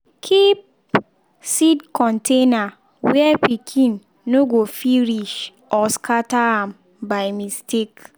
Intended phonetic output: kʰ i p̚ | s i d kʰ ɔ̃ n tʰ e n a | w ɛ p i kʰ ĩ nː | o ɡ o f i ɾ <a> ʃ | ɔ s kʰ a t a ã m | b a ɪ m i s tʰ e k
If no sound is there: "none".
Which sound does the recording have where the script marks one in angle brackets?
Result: i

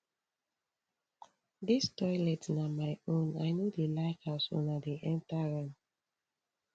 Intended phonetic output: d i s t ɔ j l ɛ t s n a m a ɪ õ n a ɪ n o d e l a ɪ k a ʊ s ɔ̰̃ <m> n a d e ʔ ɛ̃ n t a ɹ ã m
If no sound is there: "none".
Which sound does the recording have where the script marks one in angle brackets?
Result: none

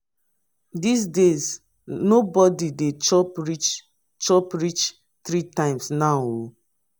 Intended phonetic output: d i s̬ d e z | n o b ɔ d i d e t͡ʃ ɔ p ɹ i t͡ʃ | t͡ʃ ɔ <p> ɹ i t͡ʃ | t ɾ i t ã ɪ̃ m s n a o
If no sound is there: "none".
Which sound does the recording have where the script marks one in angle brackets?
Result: p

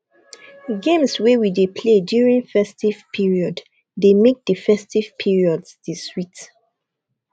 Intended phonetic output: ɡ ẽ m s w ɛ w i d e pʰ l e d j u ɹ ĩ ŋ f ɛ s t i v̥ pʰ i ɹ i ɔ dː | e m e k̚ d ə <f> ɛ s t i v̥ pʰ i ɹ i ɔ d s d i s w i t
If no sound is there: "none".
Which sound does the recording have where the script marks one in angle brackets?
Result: f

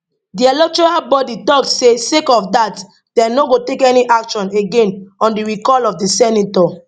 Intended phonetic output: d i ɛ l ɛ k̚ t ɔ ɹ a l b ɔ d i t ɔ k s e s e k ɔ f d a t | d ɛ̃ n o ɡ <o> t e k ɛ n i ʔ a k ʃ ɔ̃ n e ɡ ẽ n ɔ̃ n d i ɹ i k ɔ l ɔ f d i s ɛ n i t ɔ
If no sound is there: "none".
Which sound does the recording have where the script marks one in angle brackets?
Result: o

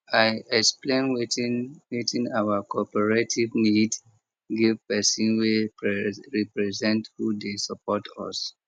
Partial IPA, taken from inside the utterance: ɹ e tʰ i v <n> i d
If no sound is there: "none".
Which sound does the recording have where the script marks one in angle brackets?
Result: n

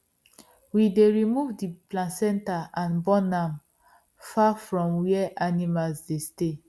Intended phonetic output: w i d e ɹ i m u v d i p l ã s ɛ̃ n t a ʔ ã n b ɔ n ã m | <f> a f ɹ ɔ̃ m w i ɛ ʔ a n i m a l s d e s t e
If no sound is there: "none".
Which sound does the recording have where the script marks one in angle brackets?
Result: f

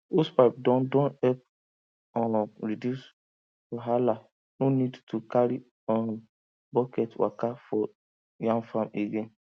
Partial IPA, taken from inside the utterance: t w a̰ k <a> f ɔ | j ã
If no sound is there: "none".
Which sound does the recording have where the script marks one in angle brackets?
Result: a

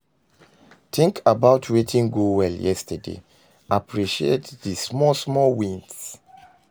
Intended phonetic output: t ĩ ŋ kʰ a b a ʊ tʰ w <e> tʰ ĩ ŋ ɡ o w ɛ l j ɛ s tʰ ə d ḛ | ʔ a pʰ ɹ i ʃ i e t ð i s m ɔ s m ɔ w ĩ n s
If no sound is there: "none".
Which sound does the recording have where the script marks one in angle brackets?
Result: e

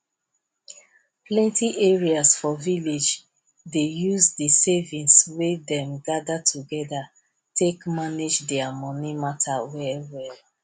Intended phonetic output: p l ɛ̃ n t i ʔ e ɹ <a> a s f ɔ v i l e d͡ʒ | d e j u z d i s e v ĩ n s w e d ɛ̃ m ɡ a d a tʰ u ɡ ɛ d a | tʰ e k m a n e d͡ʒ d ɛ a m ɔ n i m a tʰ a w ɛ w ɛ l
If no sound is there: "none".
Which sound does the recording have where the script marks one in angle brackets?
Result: i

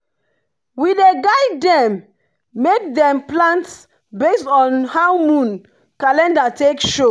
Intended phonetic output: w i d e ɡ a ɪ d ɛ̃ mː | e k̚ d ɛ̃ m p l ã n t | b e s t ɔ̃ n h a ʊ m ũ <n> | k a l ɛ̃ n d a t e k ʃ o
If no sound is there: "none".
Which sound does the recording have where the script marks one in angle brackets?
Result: n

